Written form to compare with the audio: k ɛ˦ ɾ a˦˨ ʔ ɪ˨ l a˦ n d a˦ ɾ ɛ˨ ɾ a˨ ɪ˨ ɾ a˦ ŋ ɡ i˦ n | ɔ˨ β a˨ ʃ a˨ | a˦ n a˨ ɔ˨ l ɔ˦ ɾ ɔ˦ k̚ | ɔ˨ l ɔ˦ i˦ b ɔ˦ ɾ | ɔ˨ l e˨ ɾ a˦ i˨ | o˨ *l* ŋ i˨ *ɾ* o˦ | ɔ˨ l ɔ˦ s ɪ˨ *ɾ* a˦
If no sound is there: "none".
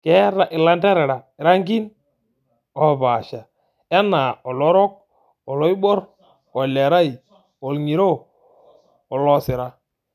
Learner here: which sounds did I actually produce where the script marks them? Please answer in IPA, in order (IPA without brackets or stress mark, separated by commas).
l, ɾ, ɾ